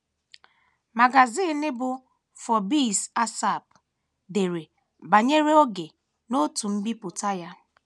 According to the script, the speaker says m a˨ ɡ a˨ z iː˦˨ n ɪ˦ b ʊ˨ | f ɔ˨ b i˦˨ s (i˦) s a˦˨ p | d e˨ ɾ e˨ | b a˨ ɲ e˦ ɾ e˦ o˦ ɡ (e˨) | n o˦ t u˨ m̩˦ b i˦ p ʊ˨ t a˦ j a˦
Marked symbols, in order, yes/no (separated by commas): no, yes